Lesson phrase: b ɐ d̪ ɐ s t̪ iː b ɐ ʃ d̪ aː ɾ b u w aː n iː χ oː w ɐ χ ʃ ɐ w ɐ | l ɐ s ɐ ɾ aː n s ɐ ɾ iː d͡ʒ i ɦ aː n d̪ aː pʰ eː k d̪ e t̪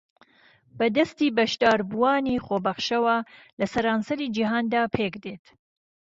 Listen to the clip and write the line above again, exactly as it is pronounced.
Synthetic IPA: b ɐ d̪ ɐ s t̪ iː b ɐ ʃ d̪ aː ɾ b u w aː n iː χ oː b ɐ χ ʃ ɐ w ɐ | l ɐ s ɐ ɾ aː n s ɐ ɾ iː d͡ʒ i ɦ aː n d̪ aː pʰ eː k d̪ e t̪